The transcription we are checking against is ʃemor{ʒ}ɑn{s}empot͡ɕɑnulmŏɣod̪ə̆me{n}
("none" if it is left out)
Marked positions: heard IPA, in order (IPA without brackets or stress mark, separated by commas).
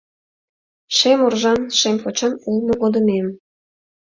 ʒ, ʃ, m